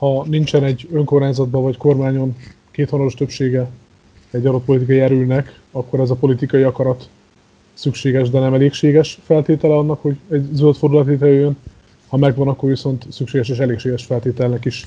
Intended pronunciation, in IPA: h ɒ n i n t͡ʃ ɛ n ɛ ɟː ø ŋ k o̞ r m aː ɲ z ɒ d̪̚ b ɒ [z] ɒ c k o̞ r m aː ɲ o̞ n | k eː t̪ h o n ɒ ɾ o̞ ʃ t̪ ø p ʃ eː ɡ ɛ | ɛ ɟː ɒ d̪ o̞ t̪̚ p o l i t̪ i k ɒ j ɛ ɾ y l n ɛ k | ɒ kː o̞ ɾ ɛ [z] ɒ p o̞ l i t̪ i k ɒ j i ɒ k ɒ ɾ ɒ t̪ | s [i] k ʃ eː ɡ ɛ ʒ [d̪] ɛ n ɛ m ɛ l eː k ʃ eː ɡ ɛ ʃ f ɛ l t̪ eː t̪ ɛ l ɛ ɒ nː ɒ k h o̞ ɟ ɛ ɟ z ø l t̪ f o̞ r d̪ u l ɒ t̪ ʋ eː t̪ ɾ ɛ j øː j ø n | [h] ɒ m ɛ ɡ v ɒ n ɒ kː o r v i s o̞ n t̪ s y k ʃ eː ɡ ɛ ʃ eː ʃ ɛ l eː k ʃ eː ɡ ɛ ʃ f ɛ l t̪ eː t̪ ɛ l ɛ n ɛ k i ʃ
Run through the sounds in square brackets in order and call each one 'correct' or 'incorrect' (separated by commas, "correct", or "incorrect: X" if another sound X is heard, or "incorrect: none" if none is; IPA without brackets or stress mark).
incorrect: v, correct, incorrect: y, correct, correct